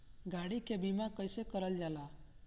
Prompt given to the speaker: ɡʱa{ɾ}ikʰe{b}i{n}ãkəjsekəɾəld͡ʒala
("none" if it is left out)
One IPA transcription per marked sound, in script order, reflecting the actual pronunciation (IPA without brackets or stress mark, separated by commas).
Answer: ɽ, b, m